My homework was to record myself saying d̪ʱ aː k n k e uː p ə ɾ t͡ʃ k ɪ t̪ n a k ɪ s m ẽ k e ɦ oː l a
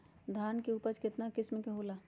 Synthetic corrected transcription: d̪ʱ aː n k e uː p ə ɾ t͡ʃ k ɪ t̪ n a k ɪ s m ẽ k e ɦ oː l a